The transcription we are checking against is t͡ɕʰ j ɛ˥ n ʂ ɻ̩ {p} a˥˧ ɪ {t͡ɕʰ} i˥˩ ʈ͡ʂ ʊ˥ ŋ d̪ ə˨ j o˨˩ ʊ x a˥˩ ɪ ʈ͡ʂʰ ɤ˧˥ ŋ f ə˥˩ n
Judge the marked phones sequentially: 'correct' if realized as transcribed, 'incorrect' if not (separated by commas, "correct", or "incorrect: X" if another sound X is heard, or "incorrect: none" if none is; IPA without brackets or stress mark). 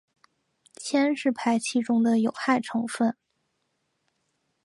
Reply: incorrect: pʰ, correct